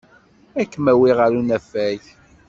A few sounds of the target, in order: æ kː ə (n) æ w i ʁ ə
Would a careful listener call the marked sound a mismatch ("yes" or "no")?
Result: yes